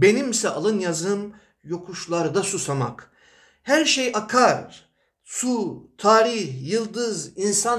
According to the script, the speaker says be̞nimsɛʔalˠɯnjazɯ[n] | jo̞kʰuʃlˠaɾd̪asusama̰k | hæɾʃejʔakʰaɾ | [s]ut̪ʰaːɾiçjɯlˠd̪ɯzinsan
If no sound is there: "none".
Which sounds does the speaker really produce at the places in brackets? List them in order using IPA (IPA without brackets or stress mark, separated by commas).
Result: m, s